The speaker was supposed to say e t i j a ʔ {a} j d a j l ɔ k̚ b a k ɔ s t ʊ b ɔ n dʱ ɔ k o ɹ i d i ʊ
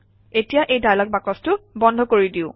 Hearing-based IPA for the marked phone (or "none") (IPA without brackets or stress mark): e